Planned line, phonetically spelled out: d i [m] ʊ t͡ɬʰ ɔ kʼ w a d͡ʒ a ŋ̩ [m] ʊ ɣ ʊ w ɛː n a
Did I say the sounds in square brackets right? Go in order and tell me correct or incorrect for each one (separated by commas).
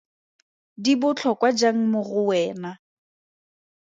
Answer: incorrect, correct